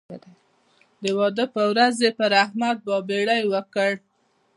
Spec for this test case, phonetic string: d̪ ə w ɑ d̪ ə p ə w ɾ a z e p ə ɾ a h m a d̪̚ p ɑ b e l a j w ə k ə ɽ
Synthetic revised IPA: d̪ ə w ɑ d̪ ə p ə w ɾ a z e p ə ɾ a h m a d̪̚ b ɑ b e ɽ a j w ə k ə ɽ